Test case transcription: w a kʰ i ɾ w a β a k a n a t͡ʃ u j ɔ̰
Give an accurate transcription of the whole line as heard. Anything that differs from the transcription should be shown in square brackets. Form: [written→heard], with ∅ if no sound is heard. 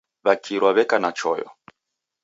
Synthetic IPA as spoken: [w→β] a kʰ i ɾ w a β [a→ɛ] k a n a t͡ʃ [u→ɔ] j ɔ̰